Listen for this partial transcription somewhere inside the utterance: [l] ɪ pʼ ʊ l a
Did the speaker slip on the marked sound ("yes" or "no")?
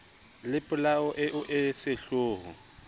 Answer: no